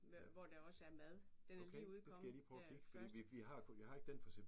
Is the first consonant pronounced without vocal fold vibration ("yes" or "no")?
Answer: no